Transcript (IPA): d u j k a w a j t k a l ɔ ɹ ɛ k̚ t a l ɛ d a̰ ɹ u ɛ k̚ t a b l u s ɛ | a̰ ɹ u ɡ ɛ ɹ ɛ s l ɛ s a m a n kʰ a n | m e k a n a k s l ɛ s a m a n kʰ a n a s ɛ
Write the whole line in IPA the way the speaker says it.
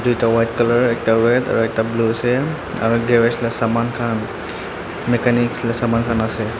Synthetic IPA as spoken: d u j t a w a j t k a l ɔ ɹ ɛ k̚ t a ɹ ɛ d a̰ ɹ u ɛ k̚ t a b l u s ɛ | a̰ ɹ u ɡ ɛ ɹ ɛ s l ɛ s a m a n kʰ a n | m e k a n i k s l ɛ s a m a n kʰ a n a s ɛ